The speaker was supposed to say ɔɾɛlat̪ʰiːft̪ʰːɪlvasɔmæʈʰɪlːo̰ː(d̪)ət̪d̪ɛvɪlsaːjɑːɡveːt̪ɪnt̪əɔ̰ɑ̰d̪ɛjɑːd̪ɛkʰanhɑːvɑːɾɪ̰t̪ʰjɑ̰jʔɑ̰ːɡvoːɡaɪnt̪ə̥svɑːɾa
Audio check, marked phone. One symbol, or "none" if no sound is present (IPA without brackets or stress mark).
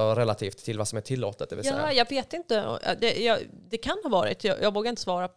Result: t̪